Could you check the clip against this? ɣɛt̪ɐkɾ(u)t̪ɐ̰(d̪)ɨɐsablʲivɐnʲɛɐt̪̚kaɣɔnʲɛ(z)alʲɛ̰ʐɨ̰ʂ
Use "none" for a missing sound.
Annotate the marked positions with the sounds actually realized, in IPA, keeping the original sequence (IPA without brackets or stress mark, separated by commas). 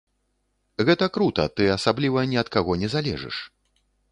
u, t̪, z